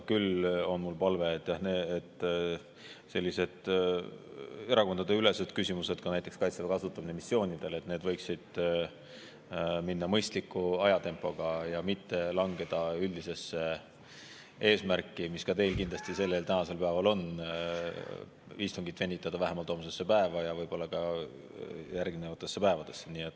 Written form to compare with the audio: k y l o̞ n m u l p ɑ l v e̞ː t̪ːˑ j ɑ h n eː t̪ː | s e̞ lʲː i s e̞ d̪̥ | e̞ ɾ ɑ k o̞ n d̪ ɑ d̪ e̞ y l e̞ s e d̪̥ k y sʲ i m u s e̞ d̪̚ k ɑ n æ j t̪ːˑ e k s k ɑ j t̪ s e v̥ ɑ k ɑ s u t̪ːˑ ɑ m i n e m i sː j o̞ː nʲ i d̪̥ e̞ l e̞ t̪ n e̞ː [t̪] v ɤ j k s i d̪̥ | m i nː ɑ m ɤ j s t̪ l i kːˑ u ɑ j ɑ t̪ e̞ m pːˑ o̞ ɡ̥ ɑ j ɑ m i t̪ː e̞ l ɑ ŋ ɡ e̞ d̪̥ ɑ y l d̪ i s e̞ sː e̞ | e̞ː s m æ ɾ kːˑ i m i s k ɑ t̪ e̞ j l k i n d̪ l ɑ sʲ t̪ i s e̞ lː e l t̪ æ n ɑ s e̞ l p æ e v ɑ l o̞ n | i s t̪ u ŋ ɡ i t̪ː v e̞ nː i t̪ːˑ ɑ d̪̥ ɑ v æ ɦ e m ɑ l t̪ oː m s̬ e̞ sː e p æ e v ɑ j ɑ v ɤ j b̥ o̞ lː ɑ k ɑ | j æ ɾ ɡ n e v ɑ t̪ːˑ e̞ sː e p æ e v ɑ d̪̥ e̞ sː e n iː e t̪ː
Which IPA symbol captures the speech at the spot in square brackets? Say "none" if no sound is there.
d̪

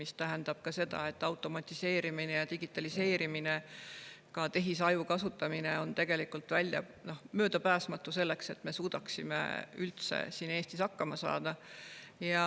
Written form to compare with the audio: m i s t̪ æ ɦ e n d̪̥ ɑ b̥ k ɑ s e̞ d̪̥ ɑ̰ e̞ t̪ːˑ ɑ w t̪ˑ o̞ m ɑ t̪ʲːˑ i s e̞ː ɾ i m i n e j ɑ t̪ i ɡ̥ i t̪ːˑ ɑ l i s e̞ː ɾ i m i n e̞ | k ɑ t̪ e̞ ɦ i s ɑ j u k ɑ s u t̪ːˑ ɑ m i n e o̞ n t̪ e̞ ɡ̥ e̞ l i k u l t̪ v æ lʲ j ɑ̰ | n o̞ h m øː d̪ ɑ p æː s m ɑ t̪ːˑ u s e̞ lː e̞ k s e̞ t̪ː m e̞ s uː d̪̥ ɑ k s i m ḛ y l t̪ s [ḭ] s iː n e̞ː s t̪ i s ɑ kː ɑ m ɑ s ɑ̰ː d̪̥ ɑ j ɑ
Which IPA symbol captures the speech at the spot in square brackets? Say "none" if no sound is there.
ḛ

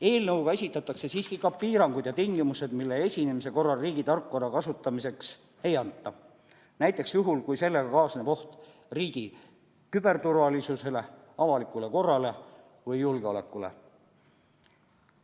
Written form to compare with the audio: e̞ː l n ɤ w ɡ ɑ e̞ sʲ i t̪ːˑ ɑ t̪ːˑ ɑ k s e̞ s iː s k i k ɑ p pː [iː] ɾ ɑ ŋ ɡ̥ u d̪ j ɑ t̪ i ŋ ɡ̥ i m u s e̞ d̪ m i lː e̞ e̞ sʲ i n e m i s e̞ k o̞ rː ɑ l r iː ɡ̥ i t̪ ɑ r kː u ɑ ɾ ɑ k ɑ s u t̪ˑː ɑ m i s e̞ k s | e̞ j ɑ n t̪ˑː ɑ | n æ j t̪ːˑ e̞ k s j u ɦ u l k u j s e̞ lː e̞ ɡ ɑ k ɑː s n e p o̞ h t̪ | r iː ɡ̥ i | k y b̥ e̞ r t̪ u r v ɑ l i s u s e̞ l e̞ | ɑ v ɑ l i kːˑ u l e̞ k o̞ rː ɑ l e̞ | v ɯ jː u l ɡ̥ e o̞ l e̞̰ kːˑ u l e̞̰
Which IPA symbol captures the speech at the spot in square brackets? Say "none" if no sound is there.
iː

